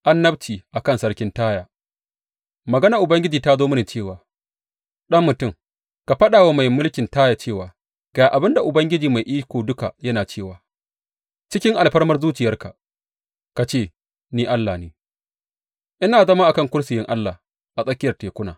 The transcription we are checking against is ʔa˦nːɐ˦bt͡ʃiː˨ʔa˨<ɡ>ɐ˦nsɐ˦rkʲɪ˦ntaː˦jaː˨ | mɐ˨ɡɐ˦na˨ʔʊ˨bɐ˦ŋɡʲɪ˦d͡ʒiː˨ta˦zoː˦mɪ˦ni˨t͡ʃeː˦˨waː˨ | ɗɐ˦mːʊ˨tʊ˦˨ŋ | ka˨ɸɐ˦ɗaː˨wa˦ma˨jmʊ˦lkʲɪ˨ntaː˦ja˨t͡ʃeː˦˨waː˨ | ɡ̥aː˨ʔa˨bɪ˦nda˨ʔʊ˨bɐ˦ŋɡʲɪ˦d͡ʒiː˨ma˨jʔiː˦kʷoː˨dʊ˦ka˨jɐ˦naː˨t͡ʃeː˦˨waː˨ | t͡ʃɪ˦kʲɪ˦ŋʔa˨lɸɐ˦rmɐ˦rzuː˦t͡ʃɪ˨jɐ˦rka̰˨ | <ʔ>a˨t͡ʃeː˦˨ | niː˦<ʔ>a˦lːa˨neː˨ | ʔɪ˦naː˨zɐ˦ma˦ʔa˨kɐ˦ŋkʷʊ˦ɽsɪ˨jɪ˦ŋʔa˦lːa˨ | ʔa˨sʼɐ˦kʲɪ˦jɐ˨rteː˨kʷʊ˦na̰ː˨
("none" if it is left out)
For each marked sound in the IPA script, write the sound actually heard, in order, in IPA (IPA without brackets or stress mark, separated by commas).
k, k, ʔ